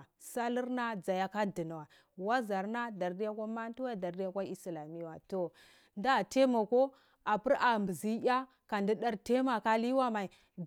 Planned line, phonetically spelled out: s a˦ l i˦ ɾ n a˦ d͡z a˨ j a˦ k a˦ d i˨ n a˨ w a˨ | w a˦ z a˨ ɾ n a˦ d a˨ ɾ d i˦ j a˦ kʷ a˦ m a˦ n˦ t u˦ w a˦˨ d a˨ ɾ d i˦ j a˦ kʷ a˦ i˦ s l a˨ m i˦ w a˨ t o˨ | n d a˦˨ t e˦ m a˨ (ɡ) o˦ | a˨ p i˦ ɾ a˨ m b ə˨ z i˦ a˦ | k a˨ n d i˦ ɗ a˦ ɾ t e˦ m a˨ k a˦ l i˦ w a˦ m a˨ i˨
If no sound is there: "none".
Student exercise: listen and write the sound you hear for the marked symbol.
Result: k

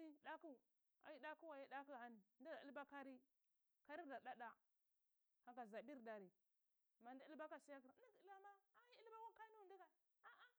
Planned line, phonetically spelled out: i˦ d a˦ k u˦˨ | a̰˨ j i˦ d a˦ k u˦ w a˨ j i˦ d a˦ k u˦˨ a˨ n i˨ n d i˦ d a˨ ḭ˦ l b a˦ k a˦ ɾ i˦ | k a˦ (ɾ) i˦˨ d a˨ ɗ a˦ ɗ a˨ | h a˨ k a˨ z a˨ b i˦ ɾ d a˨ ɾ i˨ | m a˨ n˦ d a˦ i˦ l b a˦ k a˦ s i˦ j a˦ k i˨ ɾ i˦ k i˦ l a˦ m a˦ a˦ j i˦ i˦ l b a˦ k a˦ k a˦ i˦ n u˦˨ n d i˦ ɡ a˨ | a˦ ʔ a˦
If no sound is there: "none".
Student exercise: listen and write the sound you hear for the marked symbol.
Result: ɾ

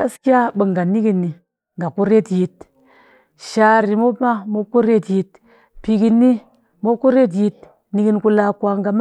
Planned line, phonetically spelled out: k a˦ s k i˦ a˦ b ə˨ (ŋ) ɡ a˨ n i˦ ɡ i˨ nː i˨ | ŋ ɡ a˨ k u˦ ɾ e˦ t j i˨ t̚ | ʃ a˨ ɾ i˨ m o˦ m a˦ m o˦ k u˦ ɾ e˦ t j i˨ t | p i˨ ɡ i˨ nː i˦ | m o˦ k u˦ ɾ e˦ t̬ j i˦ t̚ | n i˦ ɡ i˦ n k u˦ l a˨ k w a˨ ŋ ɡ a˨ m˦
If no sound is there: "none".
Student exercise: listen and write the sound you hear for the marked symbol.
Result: ŋ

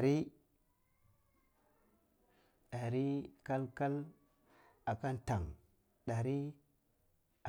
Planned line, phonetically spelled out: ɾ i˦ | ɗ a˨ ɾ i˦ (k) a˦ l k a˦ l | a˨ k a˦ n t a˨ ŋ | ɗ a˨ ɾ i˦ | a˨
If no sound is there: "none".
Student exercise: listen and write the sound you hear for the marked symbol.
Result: k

